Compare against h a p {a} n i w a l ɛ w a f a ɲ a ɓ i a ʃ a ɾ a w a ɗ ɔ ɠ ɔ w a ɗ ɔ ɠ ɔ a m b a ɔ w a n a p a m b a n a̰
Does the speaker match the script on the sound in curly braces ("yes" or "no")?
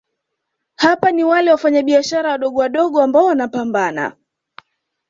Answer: yes